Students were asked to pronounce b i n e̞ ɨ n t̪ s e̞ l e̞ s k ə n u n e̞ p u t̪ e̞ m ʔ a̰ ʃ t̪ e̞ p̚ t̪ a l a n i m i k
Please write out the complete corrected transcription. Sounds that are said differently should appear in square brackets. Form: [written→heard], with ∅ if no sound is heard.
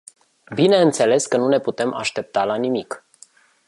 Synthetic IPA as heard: b i n e̞ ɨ n t̪ s e̞ l e̞ s k ə n u n e̞ p u t̪ e̞ m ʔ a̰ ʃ t̪ e̞ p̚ t̪ a l a n i m i k